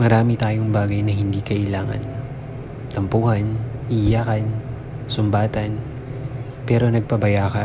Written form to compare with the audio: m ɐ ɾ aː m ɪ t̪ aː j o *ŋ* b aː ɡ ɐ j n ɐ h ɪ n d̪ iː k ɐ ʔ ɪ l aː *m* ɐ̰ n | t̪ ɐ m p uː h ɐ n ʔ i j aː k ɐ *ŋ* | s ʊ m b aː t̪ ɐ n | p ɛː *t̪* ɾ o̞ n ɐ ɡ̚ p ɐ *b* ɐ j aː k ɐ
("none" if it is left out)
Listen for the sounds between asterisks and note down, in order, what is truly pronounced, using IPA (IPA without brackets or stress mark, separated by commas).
ŋ, ŋ, n, none, b